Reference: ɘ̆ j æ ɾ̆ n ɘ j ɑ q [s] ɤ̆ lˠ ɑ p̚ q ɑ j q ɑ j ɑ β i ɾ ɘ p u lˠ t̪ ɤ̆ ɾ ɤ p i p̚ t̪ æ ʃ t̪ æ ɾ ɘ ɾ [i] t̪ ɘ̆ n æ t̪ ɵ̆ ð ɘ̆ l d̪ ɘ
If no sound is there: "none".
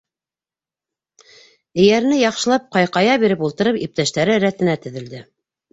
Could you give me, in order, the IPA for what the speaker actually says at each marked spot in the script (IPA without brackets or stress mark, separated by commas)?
ʃ, æ